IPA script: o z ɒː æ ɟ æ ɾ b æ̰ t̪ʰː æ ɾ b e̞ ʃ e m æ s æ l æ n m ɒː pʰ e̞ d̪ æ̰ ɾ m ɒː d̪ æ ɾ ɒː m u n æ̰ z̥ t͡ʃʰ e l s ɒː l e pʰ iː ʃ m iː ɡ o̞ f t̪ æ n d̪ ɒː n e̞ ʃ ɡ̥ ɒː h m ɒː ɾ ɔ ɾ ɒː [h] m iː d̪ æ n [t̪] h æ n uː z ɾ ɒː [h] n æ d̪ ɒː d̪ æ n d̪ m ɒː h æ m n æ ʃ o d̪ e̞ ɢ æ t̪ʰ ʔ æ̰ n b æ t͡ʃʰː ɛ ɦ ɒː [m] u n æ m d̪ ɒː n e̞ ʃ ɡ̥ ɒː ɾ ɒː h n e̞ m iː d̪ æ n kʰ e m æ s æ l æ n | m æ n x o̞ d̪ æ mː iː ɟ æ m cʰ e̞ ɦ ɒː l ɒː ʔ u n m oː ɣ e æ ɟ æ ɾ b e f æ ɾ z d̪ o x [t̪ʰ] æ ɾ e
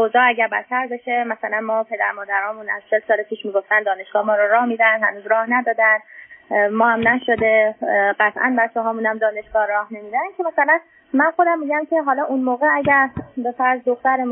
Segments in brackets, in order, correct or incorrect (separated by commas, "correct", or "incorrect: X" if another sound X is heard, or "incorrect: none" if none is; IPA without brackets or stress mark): correct, incorrect: d̪, correct, correct, incorrect: t̪